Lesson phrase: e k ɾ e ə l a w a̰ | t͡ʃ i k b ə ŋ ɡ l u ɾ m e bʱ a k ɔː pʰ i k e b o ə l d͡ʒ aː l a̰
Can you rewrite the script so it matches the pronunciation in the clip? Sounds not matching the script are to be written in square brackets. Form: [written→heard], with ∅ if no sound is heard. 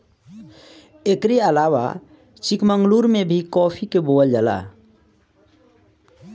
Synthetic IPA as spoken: e k ɾ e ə l a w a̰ | t͡ʃ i k [b→m] ə ŋ ɡ l u ɾ m e bʱ [a→i] k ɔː pʰ i k e b o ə l d͡ʒ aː l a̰